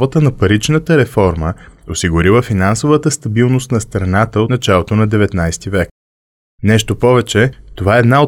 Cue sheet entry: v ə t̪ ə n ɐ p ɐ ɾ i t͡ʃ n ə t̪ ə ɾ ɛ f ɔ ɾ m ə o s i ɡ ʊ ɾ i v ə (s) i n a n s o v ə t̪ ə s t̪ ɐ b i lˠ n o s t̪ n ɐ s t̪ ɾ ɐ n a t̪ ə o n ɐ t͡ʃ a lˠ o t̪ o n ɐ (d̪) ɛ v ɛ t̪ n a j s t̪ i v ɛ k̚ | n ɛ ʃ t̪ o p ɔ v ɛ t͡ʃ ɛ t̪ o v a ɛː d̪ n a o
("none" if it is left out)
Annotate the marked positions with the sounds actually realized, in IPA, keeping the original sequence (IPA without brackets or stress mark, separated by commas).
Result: f, d̪